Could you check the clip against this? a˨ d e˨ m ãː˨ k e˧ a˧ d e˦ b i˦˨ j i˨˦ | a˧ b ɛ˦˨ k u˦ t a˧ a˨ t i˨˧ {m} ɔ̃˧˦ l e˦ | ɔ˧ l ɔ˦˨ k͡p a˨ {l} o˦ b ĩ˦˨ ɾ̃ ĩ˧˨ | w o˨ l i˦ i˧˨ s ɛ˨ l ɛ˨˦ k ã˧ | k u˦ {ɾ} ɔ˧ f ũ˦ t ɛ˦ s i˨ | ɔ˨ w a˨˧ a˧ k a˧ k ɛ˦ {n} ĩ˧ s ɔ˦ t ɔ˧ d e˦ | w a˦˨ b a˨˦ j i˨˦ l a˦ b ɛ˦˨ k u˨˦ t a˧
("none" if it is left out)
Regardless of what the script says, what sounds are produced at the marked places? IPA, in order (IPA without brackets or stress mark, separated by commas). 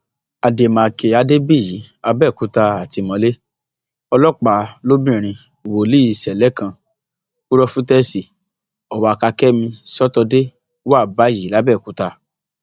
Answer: m, l, ɾ, m